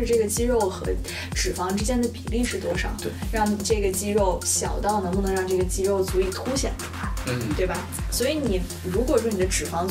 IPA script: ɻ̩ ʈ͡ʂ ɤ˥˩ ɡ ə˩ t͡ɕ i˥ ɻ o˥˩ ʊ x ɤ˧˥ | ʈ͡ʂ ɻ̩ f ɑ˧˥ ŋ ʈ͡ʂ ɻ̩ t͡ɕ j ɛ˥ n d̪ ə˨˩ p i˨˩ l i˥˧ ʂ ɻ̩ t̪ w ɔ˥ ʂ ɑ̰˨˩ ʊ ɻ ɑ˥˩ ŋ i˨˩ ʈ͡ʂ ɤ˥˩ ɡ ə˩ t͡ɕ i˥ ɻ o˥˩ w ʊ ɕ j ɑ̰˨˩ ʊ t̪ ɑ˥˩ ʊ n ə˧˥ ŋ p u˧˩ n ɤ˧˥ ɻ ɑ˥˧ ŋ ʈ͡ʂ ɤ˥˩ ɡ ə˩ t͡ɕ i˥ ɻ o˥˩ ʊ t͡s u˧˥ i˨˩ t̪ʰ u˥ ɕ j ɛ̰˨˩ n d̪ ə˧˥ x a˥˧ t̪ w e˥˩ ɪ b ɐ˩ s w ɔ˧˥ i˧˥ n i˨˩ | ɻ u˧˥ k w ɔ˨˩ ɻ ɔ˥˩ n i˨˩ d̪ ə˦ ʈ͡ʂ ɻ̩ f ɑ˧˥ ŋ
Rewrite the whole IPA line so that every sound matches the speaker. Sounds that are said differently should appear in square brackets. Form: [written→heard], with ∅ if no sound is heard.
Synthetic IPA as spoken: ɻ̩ ʈ͡ʂ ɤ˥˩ ɡ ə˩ t͡ɕ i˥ ɻ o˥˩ ʊ x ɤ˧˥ | ʈ͡ʂ ɻ̩ f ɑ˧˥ ŋ ʈ͡ʂ ɻ̩ t͡ɕ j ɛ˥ n d̪ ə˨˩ p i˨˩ l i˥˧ ʂ ɻ̩ t̪ w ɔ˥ ʂ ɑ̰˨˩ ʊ ɻ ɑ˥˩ ŋ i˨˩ ʈ͡ʂ ɤ˥˩ ɡ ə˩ t͡ɕ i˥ ɻ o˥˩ [w→∅] ʊ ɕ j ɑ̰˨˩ ʊ t̪ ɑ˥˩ ʊ n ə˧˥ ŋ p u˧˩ n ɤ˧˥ ɻ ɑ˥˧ ŋ ʈ͡ʂ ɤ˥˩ ɡ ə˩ t͡ɕ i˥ ɻ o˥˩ ʊ t͡s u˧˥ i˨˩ t̪ʰ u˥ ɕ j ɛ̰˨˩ n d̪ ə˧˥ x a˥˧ t̪ w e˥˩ ɪ b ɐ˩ s w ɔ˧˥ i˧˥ n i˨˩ | ɻ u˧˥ k w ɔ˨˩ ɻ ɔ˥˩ n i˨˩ d̪ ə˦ ʈ͡ʂ ɻ̩ f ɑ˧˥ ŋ